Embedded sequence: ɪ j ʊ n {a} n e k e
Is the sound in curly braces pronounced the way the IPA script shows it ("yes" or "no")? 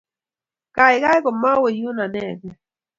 yes